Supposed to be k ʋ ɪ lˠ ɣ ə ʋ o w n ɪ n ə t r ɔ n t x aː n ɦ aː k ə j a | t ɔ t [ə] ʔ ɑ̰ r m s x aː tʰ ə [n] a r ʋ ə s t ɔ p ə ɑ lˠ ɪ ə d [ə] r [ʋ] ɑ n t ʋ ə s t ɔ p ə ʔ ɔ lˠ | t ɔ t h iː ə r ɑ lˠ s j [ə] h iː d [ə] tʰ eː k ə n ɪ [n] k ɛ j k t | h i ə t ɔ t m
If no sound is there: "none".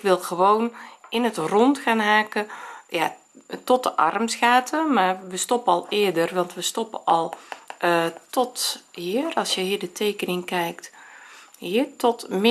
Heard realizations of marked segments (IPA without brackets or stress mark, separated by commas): ə, m, ə, ʋ, ə, ə, ŋ